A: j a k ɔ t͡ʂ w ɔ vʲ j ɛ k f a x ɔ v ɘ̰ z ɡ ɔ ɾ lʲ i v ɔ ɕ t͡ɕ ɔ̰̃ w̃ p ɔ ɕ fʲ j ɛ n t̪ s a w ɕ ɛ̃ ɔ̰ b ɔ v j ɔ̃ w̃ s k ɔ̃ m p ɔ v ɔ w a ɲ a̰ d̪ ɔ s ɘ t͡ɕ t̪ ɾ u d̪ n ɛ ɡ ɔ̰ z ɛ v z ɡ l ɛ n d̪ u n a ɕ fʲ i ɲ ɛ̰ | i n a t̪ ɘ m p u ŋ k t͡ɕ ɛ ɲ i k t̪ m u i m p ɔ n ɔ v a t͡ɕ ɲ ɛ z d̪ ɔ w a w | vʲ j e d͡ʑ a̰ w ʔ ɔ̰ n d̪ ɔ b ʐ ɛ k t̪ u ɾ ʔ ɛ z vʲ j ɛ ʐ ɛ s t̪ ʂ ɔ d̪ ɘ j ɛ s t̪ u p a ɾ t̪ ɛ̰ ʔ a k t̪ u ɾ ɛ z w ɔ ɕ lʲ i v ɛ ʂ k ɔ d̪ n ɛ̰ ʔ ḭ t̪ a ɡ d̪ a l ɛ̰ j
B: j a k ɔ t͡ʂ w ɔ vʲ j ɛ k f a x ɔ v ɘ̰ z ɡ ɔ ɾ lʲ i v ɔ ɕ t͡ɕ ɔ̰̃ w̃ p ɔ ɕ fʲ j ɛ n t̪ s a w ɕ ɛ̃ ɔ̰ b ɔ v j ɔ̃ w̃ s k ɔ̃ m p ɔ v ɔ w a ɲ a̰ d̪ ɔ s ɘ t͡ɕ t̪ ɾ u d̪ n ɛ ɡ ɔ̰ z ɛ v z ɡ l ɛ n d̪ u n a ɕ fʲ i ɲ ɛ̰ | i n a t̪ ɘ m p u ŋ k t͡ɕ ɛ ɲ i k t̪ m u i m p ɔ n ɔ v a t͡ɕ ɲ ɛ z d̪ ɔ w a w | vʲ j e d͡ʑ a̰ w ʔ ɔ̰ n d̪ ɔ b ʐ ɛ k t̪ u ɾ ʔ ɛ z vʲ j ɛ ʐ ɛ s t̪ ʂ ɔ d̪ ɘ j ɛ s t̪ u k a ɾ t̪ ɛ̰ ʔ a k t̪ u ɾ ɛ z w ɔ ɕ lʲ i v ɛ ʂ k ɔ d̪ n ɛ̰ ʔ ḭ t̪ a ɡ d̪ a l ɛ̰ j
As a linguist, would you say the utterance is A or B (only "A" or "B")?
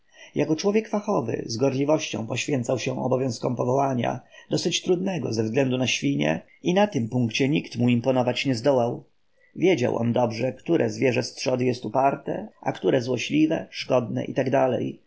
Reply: A